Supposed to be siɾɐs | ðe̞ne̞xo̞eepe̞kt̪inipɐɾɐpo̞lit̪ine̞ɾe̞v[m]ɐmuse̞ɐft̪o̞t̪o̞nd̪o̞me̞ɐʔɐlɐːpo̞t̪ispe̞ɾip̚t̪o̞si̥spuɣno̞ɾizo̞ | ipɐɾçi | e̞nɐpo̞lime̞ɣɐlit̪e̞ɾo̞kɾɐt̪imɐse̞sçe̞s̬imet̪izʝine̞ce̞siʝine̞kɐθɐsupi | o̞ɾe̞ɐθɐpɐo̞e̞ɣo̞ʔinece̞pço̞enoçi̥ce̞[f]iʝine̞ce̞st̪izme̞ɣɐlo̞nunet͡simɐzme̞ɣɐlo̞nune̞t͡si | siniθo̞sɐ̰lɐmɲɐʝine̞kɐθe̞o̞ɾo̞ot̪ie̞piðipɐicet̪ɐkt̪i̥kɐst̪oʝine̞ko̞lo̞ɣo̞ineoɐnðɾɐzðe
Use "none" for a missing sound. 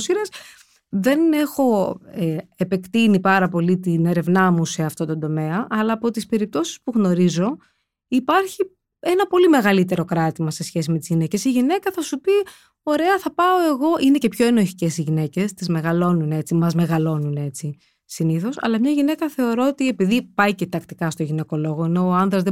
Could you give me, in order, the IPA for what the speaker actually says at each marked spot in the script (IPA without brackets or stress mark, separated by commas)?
n, s